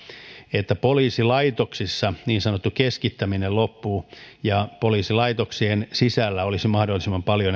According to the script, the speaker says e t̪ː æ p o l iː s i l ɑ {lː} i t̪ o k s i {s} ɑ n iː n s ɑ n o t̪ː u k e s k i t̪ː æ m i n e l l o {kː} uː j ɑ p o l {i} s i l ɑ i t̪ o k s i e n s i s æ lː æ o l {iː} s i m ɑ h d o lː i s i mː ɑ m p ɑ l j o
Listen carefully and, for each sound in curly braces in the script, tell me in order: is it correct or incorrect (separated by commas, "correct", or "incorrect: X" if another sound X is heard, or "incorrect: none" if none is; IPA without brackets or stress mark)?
incorrect: none, incorrect: sː, incorrect: pː, incorrect: iː, incorrect: i